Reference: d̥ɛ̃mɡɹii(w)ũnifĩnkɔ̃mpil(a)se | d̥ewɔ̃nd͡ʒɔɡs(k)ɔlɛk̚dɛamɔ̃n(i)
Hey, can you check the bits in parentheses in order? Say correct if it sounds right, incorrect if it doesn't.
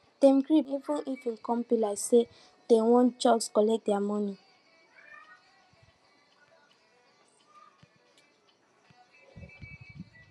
incorrect, correct, correct, correct

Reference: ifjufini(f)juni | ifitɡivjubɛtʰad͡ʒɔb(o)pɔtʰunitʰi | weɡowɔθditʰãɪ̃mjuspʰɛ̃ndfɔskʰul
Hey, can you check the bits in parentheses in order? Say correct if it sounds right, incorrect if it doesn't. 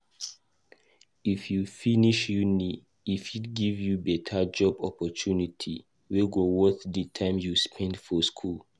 incorrect, incorrect

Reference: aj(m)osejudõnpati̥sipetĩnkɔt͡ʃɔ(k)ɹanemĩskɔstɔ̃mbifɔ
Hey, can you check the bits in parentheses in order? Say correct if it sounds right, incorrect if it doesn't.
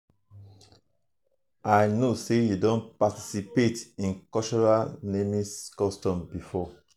incorrect, incorrect

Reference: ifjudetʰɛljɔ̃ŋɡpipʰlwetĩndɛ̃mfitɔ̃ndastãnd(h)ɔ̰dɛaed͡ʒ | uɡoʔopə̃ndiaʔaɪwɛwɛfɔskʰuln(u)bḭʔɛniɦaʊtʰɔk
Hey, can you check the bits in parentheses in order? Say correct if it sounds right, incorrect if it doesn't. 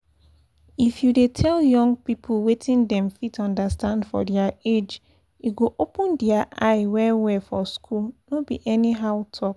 incorrect, incorrect

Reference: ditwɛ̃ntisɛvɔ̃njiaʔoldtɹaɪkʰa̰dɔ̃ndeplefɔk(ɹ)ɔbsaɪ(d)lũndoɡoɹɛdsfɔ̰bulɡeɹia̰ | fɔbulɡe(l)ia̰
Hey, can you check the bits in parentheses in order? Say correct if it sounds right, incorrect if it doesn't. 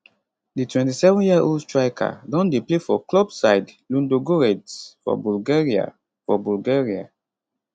incorrect, correct, incorrect

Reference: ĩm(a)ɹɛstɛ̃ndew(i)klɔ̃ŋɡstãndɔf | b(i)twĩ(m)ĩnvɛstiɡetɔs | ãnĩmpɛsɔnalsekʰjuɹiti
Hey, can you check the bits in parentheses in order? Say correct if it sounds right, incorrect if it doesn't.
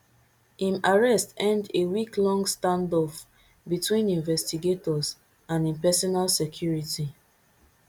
correct, correct, correct, incorrect

